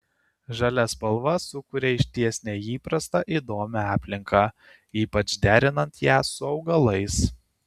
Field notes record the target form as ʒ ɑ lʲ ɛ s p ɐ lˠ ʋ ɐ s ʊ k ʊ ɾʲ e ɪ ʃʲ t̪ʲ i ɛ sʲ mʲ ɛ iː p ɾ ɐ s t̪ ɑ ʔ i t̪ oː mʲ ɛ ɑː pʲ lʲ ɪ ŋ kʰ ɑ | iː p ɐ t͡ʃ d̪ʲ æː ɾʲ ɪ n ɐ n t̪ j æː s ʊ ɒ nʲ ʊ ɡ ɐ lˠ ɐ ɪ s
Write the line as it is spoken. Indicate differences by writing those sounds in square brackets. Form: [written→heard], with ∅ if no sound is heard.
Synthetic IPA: ʒ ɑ lʲ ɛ s p ɐ lˠ ʋ ɐ s ʊ k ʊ ɾʲ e ɪ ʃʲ t̪ʲ i ɛ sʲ [mʲ→nʲ] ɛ iː p ɾ ɐ s t̪ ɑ ʔ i [t̪→d̪] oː mʲ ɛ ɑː pʲ lʲ ɪ ŋ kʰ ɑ | iː p ɐ t͡ʃ d̪ʲ æː ɾʲ ɪ n ɐ n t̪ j æː s ʊ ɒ [nʲ→∅] ʊ ɡ ɐ lˠ ɐ ɪ s